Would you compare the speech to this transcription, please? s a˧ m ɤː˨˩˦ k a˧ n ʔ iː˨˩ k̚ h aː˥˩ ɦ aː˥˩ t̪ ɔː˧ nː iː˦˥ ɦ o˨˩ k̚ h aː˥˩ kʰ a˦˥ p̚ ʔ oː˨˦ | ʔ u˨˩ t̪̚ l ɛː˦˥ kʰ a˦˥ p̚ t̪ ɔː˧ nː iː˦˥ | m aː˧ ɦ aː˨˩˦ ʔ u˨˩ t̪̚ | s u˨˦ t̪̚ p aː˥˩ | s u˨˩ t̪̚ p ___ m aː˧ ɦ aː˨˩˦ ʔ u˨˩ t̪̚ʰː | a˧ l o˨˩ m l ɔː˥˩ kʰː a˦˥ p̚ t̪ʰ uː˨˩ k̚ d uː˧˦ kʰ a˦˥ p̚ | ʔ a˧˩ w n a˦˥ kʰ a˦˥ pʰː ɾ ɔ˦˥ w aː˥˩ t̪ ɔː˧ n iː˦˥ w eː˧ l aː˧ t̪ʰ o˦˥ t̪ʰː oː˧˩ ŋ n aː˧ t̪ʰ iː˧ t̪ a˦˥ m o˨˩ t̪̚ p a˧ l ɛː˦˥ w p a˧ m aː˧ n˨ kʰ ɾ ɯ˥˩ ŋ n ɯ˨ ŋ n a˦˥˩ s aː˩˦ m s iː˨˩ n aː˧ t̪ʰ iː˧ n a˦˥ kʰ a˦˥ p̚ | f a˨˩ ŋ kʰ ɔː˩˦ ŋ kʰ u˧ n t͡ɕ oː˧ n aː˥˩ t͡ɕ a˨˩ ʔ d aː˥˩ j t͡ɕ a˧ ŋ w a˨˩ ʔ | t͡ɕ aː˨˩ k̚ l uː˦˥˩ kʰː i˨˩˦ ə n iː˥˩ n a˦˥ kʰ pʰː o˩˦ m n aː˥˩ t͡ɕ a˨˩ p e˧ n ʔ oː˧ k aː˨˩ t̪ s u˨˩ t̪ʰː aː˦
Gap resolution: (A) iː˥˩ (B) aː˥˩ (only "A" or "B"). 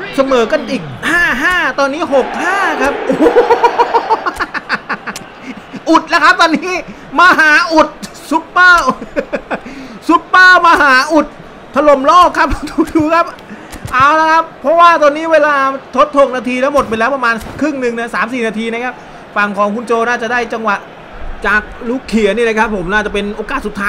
B